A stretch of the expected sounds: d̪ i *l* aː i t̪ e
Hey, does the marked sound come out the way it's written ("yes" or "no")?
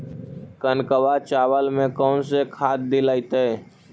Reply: yes